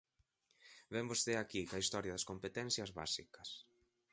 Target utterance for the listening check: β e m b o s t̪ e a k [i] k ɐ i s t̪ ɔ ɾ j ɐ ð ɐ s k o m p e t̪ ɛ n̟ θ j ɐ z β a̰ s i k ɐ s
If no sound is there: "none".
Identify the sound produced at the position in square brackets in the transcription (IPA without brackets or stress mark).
i